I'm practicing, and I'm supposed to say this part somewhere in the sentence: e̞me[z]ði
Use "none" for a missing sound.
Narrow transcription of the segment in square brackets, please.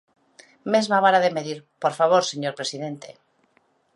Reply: none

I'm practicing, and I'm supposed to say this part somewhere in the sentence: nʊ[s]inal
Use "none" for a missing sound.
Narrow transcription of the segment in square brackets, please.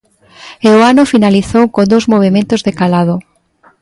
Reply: f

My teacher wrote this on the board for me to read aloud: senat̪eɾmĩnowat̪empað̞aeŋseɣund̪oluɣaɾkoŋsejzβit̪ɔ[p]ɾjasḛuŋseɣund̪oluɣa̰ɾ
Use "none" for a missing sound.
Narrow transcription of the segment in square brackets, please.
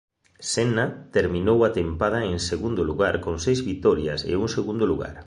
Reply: none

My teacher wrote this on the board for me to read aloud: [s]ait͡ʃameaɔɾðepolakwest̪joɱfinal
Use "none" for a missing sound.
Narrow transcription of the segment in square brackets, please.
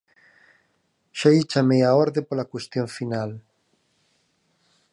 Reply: ʃ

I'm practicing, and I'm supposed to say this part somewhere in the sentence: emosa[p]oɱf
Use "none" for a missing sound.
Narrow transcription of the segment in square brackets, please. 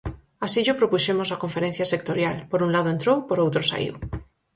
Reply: k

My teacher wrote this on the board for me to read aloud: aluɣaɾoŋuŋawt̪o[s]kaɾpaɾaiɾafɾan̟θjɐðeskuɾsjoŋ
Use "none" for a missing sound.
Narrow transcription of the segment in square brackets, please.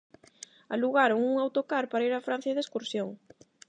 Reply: none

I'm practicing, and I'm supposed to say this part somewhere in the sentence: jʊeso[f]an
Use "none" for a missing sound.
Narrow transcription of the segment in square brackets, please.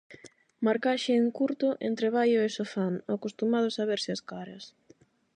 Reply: f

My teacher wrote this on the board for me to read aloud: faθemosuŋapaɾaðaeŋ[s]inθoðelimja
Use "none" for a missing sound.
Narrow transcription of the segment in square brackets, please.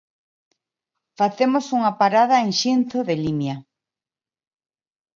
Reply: ʃ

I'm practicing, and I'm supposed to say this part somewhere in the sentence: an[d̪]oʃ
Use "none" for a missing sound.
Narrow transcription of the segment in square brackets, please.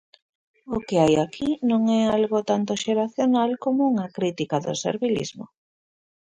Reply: t̪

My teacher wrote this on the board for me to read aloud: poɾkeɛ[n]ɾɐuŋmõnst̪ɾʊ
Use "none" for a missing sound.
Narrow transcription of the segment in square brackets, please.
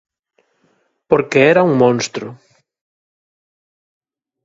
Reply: none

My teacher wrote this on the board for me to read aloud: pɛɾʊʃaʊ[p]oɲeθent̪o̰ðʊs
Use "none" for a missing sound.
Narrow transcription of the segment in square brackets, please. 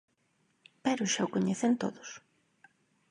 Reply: k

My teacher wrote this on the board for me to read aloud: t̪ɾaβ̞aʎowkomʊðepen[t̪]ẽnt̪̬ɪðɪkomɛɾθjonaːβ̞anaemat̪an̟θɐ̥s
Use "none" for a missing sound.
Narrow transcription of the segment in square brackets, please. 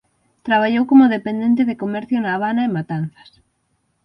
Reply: d̪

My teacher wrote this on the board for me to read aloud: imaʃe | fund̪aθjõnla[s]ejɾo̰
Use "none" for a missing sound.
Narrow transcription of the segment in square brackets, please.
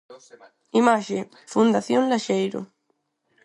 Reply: ʃ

